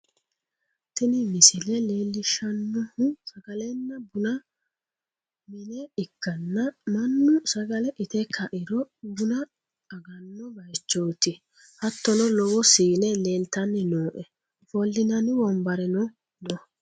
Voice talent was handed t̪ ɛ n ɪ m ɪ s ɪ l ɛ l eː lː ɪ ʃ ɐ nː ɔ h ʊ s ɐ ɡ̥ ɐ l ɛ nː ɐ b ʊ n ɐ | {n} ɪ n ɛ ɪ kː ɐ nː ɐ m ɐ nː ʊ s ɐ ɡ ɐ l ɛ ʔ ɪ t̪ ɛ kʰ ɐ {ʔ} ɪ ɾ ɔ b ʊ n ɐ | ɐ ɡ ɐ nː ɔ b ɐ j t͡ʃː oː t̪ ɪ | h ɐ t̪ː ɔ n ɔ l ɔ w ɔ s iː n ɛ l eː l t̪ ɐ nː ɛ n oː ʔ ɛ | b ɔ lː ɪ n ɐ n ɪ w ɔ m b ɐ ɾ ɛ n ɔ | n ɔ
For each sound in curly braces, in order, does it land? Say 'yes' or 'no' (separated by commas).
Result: no, yes